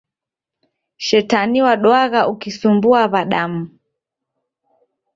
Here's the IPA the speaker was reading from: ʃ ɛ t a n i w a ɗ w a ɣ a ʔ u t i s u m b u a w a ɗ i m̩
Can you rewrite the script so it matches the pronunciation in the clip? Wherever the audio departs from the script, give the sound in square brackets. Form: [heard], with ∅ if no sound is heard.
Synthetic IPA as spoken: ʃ ɛ t a n i w a ɗ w a ɣ a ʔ u [k] i s u m b u a [β] a ɗ [a] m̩